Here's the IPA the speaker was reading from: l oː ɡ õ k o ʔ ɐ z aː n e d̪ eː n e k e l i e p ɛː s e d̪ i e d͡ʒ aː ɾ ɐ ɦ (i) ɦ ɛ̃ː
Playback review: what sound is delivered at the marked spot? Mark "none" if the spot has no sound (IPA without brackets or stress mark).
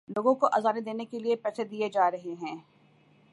e